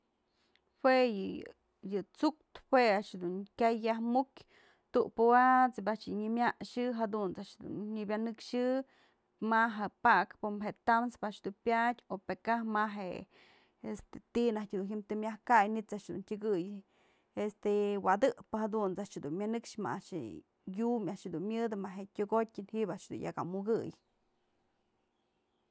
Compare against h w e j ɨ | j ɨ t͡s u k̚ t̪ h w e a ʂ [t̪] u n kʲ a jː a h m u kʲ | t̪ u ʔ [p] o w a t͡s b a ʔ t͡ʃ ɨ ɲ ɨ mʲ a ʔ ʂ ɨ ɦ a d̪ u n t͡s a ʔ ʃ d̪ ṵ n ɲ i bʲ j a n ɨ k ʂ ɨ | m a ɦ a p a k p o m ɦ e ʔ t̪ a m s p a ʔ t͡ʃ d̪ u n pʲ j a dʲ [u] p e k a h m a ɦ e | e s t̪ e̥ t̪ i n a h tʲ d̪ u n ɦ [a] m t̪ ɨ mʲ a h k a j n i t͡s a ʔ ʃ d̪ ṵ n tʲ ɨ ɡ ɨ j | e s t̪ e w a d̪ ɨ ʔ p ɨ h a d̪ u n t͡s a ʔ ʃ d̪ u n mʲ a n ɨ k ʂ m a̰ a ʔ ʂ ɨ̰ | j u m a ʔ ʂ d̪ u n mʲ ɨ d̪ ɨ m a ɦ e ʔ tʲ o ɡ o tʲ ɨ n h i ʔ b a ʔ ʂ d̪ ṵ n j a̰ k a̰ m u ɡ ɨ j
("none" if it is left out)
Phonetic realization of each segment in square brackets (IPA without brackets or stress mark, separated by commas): d̪, p, o, i